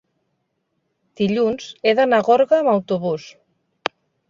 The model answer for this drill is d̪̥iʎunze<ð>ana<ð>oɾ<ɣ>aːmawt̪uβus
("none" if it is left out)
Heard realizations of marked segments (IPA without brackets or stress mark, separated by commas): ð, ɣ, ɣ